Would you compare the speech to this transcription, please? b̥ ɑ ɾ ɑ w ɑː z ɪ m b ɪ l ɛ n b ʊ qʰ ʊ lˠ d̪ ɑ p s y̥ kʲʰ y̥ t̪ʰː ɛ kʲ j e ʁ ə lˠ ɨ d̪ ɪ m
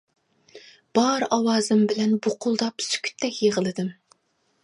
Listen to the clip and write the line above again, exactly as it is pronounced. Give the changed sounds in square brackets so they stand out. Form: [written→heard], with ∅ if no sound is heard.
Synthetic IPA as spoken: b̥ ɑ ɾ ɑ w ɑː z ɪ m b ɪ l ɛ n b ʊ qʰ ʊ lˠ d̪ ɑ p s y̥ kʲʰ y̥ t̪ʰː ɛ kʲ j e ʁ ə lˠ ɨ d̪ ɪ m